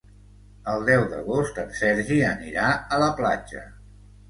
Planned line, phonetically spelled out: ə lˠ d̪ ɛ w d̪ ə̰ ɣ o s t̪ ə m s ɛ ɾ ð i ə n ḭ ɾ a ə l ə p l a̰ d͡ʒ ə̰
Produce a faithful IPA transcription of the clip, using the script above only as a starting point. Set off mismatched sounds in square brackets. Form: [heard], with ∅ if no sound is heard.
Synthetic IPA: ə lˠ d̪ ɛ w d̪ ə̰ ɣ o s t̪ ə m s ɛ ɾ [ʒ] i ə n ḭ ɾ a ə l ə p l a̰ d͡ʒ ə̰